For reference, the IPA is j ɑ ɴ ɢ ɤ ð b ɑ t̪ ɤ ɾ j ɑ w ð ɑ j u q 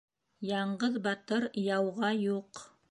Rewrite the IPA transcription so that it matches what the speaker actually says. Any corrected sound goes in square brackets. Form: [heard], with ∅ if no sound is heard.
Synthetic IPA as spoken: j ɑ ɴ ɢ ɤ ð b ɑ t̪ ɤ ɾ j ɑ w [ʁ] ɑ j u q